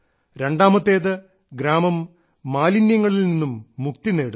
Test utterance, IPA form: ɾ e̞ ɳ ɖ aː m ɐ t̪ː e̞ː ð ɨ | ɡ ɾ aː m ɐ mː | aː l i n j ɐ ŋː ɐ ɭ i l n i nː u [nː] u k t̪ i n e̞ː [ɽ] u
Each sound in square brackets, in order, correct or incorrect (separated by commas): incorrect, correct